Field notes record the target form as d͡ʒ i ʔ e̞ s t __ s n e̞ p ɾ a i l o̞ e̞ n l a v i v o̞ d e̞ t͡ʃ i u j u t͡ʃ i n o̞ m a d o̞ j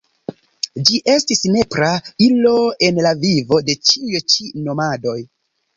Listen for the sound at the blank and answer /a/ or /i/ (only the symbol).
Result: i